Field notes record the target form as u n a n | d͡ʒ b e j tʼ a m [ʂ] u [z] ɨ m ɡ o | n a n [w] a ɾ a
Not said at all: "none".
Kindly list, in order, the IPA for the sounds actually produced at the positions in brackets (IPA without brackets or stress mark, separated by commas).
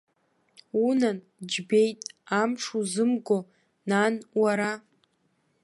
ʂ, z, w